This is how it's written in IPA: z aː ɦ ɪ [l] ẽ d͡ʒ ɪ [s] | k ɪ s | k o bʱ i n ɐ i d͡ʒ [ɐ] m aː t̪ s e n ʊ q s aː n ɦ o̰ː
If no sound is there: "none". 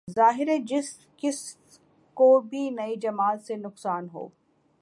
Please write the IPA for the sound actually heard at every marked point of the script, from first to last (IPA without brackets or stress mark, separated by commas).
ɾ, s, ɐ